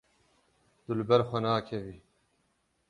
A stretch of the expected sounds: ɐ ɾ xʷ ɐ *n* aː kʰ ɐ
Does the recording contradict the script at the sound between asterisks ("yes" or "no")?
no